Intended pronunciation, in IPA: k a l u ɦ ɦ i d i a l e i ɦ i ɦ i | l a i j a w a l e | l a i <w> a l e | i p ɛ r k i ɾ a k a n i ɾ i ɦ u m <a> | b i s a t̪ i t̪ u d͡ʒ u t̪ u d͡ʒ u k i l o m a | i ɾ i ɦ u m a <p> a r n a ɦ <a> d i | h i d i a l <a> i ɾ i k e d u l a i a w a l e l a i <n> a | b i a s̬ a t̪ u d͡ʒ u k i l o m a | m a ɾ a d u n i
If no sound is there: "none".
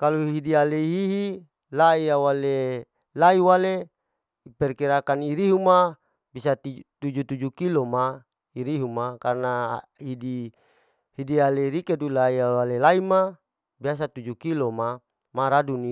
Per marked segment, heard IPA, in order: w, a, k, i, e, m

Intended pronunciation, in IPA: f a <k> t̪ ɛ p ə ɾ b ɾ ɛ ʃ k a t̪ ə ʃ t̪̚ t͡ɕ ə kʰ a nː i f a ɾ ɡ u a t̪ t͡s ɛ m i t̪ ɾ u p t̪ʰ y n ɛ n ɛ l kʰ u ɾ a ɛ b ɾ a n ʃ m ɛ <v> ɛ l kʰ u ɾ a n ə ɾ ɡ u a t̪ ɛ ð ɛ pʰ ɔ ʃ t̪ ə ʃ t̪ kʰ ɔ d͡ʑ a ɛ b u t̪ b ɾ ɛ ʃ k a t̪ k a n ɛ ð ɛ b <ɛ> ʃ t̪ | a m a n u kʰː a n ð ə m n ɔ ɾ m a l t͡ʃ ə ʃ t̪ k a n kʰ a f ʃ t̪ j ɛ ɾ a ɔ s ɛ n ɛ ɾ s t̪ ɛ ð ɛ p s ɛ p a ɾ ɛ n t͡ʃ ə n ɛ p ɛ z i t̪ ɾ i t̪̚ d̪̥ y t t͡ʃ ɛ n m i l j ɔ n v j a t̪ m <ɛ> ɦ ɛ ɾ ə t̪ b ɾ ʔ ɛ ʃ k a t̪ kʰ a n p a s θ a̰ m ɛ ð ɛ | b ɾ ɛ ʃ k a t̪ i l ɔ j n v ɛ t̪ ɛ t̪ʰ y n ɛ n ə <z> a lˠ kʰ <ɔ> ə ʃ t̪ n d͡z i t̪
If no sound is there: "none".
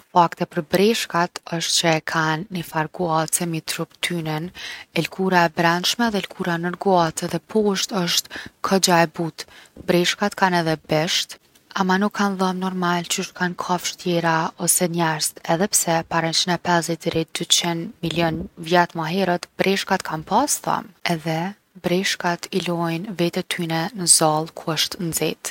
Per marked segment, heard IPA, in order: k, ð, ɛ, a, z, u

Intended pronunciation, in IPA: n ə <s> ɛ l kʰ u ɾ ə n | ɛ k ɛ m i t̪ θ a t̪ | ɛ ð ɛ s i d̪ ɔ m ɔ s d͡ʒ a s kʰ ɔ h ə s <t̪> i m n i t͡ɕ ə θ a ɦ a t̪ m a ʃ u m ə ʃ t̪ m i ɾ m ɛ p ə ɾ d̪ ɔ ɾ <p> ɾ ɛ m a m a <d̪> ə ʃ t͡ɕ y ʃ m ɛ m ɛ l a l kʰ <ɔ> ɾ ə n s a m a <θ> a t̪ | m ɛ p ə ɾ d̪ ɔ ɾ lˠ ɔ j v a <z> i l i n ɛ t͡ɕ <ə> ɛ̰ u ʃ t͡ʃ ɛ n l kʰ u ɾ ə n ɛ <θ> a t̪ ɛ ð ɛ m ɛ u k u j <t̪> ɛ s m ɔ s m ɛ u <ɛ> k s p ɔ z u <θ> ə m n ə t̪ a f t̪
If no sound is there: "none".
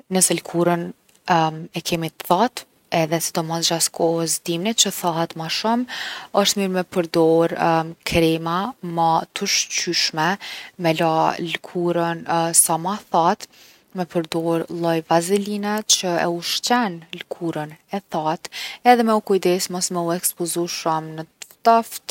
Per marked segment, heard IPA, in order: s, d̪, k, t̪, u, θ, z, ə, θ, d̪, ɛ, ʃ

